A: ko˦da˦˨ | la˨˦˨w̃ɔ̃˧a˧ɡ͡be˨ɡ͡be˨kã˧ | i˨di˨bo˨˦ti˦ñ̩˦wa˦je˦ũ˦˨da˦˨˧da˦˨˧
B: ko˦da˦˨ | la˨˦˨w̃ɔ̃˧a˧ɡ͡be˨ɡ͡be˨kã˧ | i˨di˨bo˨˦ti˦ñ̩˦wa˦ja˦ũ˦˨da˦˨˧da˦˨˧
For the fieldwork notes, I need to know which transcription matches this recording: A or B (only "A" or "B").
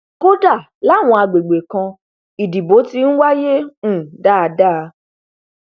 A